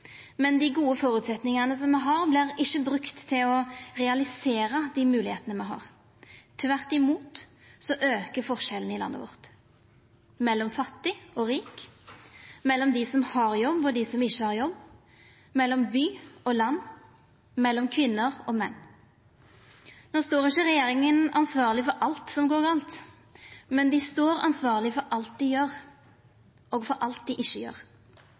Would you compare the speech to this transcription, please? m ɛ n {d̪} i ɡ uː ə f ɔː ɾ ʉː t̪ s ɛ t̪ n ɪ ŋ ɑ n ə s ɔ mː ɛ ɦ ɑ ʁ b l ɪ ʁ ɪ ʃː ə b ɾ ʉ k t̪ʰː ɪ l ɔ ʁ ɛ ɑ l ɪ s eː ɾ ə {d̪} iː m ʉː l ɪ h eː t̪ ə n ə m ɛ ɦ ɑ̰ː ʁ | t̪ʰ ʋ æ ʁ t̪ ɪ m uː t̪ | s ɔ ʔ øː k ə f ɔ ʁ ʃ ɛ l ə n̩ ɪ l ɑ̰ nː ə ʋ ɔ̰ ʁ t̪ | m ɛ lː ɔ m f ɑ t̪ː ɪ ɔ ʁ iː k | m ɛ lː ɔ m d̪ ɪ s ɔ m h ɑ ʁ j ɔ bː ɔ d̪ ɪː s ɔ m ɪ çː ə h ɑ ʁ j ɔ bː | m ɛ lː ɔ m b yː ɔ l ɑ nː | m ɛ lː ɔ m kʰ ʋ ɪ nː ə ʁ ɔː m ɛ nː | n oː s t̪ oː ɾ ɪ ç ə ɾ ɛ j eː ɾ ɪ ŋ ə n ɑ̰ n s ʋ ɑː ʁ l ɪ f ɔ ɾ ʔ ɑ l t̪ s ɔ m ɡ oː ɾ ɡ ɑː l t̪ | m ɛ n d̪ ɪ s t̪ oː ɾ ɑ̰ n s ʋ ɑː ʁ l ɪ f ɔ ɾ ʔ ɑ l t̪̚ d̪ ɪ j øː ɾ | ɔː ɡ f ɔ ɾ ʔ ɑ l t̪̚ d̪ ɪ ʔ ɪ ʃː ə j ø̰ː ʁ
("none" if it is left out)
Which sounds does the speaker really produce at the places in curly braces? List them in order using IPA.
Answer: d̪, d̪

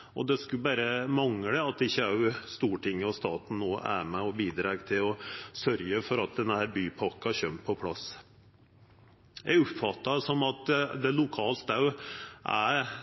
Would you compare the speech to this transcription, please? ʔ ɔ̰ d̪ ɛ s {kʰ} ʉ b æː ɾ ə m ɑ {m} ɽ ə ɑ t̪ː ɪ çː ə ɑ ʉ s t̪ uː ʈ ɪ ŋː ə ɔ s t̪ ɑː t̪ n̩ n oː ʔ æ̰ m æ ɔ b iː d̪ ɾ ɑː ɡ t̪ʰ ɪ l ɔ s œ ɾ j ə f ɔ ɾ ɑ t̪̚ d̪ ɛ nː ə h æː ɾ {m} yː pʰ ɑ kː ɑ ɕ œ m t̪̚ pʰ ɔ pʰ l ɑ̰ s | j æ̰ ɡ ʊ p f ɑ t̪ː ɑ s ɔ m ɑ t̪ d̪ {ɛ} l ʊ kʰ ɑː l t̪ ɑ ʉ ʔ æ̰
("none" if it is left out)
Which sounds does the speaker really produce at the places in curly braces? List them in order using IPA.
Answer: k, ŋ, b, ɛ

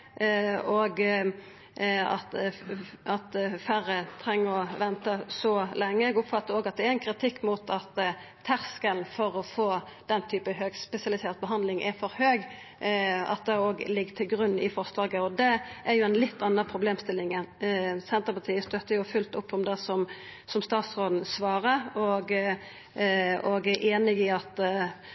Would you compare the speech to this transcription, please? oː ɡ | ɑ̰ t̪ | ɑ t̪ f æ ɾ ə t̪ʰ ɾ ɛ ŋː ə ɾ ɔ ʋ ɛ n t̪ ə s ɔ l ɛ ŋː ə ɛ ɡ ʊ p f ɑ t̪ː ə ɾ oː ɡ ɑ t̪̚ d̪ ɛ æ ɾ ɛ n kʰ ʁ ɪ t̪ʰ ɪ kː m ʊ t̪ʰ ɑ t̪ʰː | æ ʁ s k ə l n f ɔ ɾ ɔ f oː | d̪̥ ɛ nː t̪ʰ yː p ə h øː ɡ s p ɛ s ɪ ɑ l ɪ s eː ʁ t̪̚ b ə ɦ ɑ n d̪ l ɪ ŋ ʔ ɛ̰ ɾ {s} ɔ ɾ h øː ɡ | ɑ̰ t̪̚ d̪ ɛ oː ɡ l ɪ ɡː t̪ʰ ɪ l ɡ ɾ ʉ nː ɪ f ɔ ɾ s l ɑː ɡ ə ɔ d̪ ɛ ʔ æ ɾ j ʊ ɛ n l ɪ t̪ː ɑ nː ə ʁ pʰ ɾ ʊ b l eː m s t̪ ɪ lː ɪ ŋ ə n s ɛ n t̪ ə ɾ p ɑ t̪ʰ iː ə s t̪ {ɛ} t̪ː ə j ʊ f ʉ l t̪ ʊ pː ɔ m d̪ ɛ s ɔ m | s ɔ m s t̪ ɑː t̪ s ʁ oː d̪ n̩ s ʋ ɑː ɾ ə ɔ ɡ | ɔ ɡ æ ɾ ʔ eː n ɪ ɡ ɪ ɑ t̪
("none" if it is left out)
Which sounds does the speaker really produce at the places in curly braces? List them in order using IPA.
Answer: f, œ

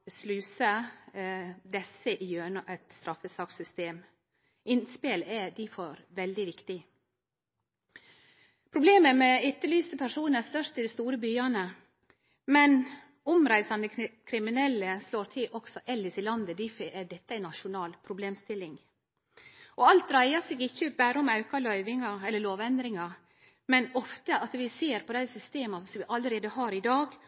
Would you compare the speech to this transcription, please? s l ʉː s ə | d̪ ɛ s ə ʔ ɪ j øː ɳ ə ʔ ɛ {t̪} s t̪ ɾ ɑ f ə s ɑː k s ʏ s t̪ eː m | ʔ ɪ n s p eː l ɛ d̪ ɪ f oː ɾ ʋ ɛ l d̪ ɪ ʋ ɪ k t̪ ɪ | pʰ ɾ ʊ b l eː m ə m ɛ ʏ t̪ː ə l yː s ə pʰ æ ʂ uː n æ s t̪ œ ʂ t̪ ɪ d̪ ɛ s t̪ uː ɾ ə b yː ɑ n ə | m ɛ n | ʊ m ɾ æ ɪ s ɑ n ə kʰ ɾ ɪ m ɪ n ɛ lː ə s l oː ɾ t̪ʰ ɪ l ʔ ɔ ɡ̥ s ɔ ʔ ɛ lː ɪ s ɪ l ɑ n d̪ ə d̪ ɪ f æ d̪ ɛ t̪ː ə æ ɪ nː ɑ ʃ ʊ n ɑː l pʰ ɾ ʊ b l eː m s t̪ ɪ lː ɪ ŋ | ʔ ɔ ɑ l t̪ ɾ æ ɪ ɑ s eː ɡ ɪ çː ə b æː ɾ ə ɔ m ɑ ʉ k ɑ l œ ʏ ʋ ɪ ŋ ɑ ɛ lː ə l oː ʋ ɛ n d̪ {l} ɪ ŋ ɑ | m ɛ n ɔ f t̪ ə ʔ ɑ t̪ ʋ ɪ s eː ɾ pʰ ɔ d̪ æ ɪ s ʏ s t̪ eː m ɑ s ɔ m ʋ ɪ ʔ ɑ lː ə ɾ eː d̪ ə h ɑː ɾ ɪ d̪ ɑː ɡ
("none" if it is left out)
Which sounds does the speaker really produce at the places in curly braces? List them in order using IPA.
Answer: t̪, ɾ

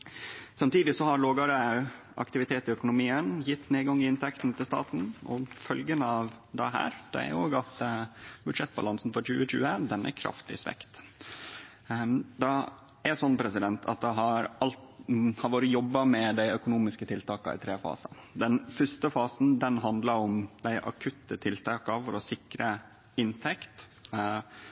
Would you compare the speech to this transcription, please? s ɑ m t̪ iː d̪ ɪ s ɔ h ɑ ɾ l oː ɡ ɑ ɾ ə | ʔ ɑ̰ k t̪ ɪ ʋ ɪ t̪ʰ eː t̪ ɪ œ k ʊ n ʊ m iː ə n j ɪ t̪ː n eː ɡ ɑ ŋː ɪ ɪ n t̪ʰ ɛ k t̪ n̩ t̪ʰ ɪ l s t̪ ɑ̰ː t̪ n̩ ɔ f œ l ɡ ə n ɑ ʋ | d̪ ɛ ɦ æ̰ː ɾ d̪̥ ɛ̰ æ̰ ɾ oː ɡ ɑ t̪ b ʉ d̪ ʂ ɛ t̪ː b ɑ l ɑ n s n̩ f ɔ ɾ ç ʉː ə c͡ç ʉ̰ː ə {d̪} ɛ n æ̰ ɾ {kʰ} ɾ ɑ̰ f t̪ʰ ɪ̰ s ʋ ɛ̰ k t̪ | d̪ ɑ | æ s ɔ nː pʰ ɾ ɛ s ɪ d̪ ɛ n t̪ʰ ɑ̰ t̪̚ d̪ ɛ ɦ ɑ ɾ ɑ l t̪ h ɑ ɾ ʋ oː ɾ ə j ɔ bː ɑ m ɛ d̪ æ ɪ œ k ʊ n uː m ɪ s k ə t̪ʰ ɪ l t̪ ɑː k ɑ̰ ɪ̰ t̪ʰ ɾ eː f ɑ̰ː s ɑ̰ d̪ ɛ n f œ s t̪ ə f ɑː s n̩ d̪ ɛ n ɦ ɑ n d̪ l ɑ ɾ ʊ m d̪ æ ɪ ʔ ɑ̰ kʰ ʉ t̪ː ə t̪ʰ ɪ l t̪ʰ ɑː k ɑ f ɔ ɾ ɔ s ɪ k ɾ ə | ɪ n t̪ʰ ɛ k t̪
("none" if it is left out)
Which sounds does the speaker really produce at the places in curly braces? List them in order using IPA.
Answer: d̪, kʰ

